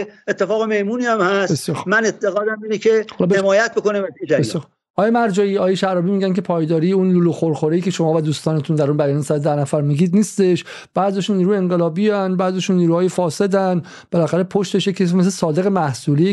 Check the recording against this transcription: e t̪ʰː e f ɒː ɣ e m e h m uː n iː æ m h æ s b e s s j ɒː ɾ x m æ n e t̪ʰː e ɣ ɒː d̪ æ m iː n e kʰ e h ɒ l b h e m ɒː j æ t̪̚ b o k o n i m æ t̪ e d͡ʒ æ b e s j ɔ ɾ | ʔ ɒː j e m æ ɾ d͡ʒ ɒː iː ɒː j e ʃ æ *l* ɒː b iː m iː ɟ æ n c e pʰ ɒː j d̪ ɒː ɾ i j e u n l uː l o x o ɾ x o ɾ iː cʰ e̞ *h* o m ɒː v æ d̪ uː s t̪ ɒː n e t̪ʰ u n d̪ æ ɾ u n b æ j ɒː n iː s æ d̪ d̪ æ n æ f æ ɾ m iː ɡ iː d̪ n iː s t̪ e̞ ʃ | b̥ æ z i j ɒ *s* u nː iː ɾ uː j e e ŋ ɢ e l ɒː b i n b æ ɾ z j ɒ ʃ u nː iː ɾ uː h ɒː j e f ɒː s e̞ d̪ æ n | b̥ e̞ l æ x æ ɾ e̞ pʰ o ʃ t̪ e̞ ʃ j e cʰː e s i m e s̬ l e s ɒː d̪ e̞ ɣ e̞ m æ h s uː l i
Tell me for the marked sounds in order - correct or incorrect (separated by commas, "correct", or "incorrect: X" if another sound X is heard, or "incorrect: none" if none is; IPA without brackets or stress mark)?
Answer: incorrect: ɾ, incorrect: ʃ, incorrect: ʃ